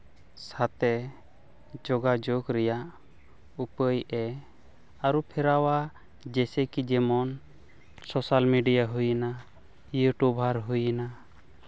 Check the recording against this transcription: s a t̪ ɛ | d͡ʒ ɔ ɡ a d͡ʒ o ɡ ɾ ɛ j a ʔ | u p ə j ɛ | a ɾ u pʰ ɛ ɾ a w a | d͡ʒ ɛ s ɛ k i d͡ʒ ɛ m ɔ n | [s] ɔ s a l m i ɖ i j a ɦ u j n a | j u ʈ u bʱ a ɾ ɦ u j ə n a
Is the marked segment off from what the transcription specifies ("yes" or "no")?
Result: no